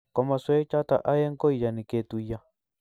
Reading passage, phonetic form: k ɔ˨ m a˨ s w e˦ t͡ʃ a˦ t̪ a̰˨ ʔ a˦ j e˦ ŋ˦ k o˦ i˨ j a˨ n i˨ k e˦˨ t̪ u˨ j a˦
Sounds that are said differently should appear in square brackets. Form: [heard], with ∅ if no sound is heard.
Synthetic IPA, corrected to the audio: k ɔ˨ m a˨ s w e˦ t͡ʃ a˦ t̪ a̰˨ ʔ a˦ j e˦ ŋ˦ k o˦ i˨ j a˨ n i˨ k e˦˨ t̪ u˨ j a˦

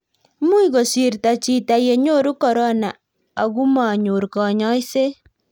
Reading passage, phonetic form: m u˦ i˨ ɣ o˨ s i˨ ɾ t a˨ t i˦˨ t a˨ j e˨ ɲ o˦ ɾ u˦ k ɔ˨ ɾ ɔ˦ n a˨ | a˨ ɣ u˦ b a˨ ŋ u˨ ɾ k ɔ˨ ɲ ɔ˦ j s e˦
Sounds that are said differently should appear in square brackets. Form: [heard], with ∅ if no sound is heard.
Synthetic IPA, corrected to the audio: m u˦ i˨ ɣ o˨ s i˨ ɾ t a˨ [t͡ʃ] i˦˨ t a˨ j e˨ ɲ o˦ ɾ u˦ k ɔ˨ ɾ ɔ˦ n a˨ | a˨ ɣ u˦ [m] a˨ [ɲ] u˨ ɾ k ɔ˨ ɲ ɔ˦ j s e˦

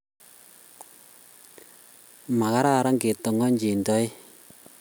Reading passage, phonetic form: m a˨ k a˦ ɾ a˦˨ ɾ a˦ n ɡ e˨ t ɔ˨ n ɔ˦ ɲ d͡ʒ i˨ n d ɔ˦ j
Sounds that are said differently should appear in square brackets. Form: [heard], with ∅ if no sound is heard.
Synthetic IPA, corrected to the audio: m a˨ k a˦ ɾ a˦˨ ɾ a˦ [ŋ] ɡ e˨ t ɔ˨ [ŋ] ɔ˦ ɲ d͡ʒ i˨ n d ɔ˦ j

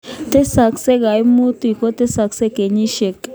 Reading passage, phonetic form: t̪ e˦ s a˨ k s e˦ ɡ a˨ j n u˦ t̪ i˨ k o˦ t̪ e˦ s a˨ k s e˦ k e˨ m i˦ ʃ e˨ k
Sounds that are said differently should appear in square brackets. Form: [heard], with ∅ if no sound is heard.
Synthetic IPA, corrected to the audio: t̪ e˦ s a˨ k s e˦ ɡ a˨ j [m] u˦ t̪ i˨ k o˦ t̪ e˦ s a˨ k s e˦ k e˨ [ɲ] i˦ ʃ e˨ k

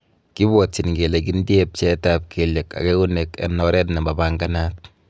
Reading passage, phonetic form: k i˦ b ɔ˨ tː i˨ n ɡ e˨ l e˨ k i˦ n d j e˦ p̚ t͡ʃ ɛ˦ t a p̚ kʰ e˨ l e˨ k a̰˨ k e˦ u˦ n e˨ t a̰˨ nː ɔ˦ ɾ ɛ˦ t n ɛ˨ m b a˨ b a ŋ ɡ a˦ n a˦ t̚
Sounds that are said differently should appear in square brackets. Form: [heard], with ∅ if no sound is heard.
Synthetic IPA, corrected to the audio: k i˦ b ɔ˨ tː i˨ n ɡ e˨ l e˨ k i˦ n d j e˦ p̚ t͡ʃ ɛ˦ t a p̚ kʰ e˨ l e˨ k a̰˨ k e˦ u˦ n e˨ [k] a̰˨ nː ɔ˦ ɾ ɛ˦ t n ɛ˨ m b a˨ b a ŋ ɡ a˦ n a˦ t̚

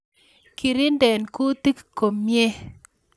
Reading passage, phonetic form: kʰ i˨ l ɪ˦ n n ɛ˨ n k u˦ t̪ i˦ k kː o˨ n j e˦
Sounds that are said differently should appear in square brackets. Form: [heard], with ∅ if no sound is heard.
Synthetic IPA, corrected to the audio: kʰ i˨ [ɾ] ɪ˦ n [d] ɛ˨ n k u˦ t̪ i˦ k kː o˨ [m] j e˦

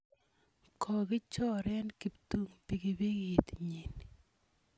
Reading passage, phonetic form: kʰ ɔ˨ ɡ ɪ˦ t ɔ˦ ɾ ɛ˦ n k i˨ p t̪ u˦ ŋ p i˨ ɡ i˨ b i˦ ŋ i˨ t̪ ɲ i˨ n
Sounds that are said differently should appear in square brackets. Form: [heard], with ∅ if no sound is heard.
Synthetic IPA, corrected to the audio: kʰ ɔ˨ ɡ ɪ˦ [t͡ʃ] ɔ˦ ɾ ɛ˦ n k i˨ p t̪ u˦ ŋ p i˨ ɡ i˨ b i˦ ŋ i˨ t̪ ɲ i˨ n

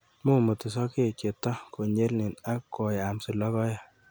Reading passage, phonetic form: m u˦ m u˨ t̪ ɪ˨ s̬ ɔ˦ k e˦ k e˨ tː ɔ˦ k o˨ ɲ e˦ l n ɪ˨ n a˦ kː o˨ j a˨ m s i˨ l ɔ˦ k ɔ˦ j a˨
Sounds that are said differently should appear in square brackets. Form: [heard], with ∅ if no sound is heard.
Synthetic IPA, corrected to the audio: m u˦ m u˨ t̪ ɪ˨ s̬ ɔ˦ k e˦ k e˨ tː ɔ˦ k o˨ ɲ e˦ l n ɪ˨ n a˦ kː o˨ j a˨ m s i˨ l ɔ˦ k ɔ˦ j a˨

